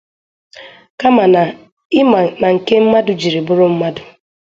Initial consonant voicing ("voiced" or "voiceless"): voiceless